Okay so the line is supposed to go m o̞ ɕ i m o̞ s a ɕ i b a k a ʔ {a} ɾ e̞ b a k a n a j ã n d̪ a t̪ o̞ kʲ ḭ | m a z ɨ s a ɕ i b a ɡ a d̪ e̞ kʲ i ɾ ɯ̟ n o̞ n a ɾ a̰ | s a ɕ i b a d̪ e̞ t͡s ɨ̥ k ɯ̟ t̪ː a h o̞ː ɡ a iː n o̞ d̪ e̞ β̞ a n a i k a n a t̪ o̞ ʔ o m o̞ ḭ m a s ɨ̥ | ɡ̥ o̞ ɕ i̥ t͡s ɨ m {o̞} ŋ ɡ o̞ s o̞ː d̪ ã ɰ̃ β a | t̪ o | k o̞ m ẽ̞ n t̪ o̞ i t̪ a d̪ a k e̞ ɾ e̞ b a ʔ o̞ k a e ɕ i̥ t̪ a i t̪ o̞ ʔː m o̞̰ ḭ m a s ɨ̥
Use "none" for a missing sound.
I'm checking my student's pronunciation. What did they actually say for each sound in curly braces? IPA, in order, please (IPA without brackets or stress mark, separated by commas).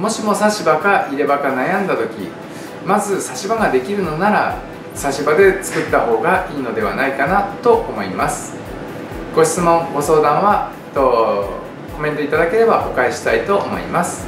i, õ̞